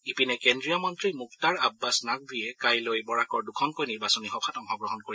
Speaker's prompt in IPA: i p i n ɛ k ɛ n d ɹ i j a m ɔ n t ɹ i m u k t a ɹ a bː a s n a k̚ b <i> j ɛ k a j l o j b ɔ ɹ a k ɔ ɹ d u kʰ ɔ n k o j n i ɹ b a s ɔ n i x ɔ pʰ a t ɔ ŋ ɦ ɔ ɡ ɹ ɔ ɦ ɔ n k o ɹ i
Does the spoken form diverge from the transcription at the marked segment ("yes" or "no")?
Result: no